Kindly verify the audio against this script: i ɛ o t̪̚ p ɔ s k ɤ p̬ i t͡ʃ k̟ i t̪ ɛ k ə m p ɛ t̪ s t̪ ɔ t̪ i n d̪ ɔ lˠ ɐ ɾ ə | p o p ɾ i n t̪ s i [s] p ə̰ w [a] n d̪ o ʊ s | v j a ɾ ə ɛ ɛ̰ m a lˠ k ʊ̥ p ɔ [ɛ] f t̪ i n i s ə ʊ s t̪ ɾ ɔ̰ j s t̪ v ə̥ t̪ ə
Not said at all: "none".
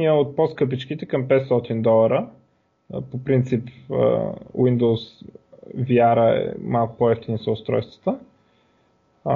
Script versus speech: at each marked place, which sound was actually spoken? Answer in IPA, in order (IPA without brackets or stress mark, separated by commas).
none, i, ɛ